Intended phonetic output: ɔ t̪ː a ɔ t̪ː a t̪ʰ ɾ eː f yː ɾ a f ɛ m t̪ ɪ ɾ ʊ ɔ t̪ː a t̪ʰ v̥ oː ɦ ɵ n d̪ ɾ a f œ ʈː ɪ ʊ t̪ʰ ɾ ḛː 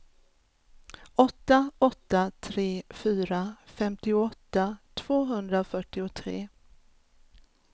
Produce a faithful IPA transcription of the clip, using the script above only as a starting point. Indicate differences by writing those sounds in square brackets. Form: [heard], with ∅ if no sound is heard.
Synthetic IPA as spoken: ɔ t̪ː a ɔ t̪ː a t̪ʰ ɾ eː f yː ɾ a f ɛ m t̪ ɪ [∅] ʊ ɔ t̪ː a t̪ʰ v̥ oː ɦ ɵ n d̪ ɾ a f œ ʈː ɪ ʊ t̪ʰ ɾ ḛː